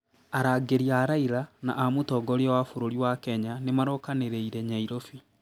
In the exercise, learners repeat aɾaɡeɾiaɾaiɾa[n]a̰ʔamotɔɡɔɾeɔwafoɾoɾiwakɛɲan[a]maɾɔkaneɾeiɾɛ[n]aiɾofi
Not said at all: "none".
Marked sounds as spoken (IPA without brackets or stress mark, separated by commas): n, e, ɲ